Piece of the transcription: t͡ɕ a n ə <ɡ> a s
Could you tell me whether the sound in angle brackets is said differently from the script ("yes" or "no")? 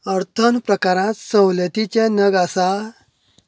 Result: no